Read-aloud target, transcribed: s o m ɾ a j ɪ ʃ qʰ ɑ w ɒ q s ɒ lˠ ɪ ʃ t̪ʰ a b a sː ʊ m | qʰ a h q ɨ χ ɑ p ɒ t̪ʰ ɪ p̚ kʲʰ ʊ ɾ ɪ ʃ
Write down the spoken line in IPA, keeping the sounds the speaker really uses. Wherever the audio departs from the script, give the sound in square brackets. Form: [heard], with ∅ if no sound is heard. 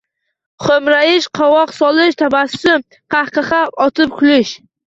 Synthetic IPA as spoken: [χ] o m ɾ a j ɪ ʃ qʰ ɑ w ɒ q s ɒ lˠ ɪ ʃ t̪ʰ a b a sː ʊ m | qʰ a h q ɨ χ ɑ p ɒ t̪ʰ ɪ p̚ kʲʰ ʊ [l] ɪ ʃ

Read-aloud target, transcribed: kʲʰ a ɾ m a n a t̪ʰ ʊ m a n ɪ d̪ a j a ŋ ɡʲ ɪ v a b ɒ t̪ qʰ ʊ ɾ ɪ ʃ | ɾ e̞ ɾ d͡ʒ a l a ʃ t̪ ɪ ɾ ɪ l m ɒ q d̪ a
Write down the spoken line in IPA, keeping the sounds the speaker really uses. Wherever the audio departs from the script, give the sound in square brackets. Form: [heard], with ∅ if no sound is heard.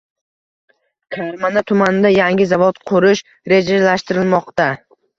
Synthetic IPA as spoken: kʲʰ a ɾ m a n a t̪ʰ ʊ m a n ɪ d̪ a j a ŋ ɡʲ ɪ [z] a [v] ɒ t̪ qʰ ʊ ɾ ɪ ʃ | ɾ e̞ [∅] d͡ʒ a l a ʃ t̪ ɪ ɾ ɪ l m ɒ q [t̪] a

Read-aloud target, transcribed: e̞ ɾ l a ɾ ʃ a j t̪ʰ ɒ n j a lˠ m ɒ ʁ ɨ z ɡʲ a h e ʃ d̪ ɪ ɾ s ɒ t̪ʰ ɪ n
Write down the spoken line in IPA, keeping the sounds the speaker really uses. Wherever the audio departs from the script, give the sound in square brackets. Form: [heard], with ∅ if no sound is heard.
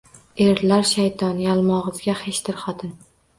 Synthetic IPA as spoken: e̞ ɾ l a ɾ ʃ a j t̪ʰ ɒ n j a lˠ m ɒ ʁ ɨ z ɡʲ a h e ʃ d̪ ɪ ɾ [χ] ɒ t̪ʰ ɪ n

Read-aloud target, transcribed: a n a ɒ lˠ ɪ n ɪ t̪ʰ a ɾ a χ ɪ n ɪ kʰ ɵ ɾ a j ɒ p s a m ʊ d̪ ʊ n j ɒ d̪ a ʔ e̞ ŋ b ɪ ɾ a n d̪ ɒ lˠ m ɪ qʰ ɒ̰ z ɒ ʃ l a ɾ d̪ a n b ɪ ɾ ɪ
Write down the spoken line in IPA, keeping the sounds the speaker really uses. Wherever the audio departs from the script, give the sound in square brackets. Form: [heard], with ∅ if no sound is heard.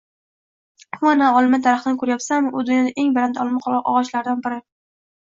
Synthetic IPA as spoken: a n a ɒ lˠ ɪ [m] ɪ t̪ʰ a ɾ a χ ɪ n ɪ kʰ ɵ ɾ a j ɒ p s a m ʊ d̪ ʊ n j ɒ d̪ a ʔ e̞ ŋ b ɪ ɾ a n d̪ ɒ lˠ m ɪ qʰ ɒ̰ [ʁ] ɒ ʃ l a ɾ d̪ a n b ɪ ɾ ɪ

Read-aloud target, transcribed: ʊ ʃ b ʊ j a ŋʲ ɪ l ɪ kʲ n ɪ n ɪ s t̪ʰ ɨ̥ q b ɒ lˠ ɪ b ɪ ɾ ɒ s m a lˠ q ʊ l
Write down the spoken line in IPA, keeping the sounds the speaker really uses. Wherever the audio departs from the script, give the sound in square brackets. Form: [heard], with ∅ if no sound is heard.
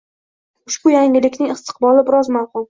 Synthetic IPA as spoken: ʊ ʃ b ʊ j a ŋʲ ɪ l ɪ kʲ n ɪ [ŋ] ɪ s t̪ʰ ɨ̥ q b ɒ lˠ ɪ b ɪ ɾ ɒ [z] m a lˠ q ʊ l

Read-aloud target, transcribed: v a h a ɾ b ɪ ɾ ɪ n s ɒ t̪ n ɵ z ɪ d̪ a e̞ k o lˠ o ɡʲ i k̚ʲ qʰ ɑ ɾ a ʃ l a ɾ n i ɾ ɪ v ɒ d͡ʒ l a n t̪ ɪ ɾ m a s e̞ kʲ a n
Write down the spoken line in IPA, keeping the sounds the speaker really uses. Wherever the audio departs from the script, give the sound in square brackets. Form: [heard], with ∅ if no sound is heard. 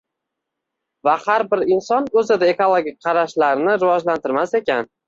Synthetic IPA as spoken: v a h a ɾ b ɪ ɾ ɪ n s ɒ [∅] n ɵ z ɪ d̪ a e̞ k o lˠ o ɡʲ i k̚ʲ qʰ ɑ ɾ a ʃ l a ɾ n [ɪ] ɾ ɪ v ɒ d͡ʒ l a n t̪ ɪ ɾ m a s e̞ kʲ a n

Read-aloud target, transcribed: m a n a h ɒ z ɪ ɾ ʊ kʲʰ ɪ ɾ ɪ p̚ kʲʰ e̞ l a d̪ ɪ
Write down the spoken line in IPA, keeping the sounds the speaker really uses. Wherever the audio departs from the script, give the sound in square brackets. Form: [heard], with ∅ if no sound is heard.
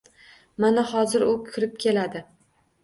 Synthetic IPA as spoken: m a n a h ɒ z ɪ ɾ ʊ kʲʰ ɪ ɾ ɪ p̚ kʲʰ e̞ l a d̪ ɪ

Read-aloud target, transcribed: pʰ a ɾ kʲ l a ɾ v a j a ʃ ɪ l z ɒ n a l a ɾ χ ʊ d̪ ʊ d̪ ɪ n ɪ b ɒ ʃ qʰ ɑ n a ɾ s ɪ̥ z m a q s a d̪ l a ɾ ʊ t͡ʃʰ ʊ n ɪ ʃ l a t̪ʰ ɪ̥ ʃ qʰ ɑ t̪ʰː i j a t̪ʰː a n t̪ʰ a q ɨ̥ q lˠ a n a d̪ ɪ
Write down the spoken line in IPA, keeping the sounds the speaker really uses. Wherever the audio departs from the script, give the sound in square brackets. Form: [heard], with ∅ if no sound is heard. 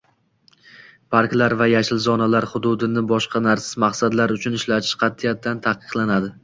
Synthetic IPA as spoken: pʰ a ɾ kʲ l a ɾ v a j a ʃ ɪ l z ɒ n a l a ɾ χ ʊ d̪ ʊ d̪ ɪ n ɪ b ɒ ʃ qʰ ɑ n a ɾ s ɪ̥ z m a q s a d̪ l a ɾ ʊ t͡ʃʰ ʊ n ɪ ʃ l a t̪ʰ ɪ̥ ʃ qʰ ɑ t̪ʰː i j a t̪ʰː a n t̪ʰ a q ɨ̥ q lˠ a n a d̪ ɪ

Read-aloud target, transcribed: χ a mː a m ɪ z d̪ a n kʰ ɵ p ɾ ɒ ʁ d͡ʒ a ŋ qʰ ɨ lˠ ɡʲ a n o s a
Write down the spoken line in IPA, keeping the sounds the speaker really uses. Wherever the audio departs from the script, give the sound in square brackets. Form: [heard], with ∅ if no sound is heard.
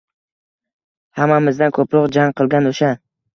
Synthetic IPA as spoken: [h] a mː a m ɪ z d̪ a n kʰ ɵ p ɾ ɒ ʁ d͡ʒ a ŋ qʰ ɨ lˠ ɡʲ a n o [ʃ] a

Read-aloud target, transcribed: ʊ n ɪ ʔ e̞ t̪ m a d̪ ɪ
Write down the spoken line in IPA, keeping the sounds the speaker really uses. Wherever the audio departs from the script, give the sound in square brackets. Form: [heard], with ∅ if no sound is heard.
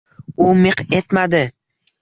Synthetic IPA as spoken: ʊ [m] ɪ [q] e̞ t̪ m a d̪ ɪ

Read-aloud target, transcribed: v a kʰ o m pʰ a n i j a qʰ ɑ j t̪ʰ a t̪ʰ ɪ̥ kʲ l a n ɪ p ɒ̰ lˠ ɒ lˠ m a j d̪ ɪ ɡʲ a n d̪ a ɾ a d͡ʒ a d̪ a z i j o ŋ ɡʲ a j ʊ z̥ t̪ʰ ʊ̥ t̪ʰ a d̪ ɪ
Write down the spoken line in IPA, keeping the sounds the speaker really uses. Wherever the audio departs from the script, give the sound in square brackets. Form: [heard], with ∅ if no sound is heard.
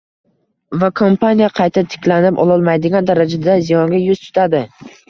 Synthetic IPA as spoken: v a kʰ o m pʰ a n i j a qʰ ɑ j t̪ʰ a t̪ʰ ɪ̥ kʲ l a n ɪ p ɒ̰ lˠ ɒ lˠ m a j d̪ ɪ ɡʲ a n d̪ a ɾ a d͡ʒ a d̪ a z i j [ɒ] ŋ ɡʲ a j ʊ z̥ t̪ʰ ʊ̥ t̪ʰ a d̪ ɪ

